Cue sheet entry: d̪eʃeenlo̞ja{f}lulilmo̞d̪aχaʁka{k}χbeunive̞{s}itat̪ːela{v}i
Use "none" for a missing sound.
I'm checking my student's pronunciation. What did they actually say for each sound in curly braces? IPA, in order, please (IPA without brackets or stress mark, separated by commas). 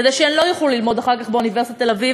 χ, none, s, v